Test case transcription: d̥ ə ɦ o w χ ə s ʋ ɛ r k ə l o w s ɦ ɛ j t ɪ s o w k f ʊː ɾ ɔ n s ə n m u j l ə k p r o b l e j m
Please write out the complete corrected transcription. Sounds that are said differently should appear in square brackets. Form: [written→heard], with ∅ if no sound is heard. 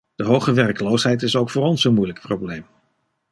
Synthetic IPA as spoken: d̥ ə ɦ o w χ ə [s→∅] ʋ ɛ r k ə l o w s ɦ ɛ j t ɪ s o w k f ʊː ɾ ɔ n s ə n m u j l ə k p r o b l e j m